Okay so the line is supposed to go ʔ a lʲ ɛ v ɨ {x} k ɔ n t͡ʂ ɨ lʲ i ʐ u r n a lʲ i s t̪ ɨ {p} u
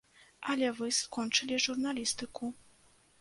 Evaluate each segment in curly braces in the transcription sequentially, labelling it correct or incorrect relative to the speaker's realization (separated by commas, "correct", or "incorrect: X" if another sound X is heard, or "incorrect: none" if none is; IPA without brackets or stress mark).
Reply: incorrect: s, incorrect: k